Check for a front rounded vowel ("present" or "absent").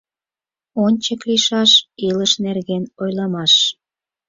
absent